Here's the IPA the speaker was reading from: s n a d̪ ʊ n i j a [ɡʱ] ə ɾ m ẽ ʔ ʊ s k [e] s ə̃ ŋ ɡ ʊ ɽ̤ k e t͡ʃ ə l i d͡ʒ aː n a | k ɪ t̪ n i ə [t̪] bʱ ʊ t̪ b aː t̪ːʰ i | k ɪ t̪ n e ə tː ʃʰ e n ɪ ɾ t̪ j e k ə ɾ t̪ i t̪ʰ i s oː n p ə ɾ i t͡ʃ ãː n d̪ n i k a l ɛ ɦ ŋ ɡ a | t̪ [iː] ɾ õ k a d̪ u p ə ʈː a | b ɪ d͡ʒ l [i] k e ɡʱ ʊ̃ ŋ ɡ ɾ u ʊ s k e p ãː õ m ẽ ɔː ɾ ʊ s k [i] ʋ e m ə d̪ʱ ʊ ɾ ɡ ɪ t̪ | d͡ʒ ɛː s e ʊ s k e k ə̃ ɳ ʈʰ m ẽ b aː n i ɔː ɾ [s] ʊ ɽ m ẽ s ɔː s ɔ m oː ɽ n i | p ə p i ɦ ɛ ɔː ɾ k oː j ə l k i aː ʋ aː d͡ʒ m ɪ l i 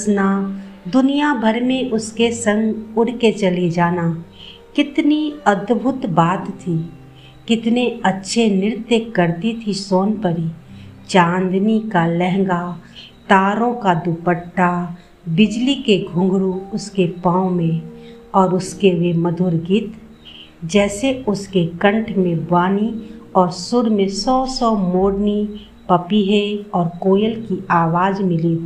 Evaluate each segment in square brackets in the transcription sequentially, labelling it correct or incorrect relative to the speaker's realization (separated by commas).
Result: incorrect, correct, incorrect, incorrect, correct, incorrect, correct